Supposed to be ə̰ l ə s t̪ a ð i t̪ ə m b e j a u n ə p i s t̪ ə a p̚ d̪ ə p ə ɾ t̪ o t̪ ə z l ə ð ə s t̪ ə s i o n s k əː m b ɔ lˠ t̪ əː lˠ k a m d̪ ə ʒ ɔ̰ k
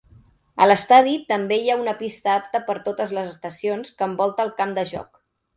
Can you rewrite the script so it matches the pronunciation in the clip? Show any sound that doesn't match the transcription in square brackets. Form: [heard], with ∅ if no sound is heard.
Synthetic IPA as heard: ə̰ l ə s t̪ a ð i t̪ ə m b e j a u n ə p i s t̪ ə a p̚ [t̪] ə p ə ɾ t̪ o t̪ ə z l ə [z] ə s t̪ ə s i o n s k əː m b ɔ lˠ t̪ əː lˠ k a m d̪ ə ʒ ɔ̰ k